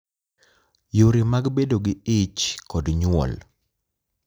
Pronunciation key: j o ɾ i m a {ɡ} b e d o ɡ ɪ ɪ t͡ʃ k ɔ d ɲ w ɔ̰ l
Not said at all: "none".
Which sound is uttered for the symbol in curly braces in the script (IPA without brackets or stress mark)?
ɡ